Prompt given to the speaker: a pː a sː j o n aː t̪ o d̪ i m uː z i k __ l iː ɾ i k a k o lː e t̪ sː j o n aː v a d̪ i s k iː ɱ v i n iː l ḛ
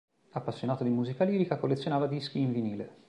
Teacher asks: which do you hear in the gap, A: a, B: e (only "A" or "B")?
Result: A